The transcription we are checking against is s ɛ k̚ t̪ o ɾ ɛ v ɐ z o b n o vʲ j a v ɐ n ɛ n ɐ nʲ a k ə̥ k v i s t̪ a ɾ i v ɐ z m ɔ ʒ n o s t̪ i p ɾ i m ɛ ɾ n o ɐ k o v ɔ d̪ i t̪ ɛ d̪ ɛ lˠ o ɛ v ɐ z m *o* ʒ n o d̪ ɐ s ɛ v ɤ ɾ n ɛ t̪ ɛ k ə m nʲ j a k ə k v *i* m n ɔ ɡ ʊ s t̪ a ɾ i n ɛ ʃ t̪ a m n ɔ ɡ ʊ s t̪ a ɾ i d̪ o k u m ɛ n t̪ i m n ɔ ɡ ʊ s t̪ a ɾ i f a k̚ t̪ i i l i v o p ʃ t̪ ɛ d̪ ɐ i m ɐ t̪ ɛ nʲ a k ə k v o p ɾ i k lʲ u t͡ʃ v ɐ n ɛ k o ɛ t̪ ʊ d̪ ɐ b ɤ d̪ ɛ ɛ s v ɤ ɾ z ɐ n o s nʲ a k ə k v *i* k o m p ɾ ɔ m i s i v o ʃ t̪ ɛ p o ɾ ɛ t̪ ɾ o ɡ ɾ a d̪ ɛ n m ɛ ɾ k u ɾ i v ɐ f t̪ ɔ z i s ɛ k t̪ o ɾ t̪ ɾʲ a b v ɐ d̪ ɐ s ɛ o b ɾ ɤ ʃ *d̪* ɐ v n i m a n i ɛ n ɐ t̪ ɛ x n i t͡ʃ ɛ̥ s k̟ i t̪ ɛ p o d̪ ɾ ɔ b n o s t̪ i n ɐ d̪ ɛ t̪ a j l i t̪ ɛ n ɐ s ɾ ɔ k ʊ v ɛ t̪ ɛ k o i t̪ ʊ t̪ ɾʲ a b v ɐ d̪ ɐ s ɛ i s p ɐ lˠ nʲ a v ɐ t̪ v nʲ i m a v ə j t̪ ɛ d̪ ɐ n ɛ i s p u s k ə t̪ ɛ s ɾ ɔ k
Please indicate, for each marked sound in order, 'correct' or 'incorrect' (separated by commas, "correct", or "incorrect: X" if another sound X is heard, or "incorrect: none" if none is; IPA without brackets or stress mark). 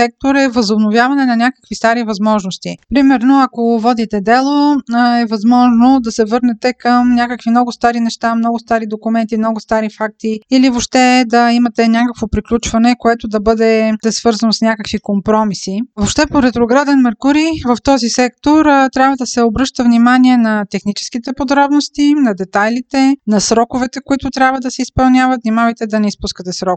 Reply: incorrect: ɔ, correct, correct, incorrect: t̪